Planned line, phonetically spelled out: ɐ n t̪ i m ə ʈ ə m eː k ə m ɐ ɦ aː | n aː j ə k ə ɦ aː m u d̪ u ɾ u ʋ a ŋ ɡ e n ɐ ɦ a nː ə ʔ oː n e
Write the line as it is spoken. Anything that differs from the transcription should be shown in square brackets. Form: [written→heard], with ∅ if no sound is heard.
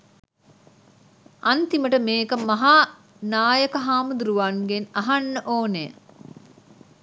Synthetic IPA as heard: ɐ n t̪ i m ə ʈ ə m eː k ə m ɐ ɦ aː | n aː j ə k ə ɦ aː m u d̪ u ɾ u ʋ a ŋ ɡ e n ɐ ɦ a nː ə ʔ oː n e